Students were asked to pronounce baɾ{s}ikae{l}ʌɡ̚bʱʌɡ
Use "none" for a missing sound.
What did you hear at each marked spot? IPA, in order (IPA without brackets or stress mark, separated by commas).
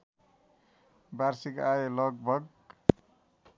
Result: s, l